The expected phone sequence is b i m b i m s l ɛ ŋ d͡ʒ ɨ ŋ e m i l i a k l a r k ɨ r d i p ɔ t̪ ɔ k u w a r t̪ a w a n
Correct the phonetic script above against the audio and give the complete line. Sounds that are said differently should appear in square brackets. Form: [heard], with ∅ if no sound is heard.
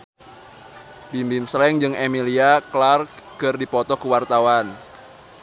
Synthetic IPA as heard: b i m b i m s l ɛ ŋ d͡ʒ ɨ ŋ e m i l i a k l a r k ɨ r d i p ɔ t̪ ɔ k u w a r t̪ a w a n